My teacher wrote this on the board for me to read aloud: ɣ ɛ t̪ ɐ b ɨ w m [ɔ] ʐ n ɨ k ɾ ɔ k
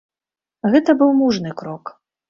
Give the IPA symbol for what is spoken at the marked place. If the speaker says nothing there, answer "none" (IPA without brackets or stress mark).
u